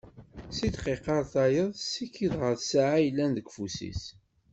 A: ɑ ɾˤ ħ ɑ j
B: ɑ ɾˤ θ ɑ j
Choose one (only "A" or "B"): B